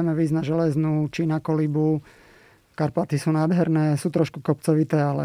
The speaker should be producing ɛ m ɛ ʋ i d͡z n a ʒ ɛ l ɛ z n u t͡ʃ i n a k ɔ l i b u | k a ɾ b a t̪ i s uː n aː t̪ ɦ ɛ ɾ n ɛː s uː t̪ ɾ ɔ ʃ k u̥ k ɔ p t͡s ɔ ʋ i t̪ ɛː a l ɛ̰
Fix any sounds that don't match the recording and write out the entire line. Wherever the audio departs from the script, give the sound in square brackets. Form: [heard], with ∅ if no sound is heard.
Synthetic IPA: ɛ m ɛ ʋ i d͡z n a ʒ ɛ l ɛ z n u t͡ʃ i n a k ɔ l i b u | k a ɾ [p] a t̪ i s uː n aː [d̪] ɦ ɛ ɾ n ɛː s uː t̪ ɾ ɔ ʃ k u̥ k ɔ p t͡s ɔ ʋ i t̪ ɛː a l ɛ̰